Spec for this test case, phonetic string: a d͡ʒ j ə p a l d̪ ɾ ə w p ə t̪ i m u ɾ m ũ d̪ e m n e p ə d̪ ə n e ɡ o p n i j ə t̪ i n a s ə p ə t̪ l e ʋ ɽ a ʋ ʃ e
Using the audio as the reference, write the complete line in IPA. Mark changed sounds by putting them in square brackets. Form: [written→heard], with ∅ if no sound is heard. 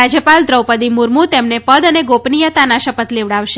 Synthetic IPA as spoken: a d͡ʒ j ə p a l d̪ ɾ ə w p ə [t̪→d̪] i m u ɾ m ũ [d̪→t̪] e m n e p ə d̪ ə n e ɡ o p n i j ə t̪ [i→a] n a [s→ʃ] ə p ə t̪ l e ʋ ɽ a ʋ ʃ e